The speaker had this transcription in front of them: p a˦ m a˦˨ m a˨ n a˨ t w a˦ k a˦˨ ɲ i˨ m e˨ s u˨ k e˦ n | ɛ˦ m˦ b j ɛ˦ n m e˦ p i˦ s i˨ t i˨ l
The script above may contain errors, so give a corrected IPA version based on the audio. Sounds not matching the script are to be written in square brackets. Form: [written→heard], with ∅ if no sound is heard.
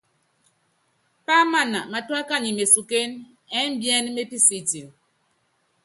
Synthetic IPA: p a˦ m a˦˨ [m→n] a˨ [n→m] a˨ t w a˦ k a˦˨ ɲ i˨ m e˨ s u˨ k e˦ n | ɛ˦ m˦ b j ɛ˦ n m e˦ p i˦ s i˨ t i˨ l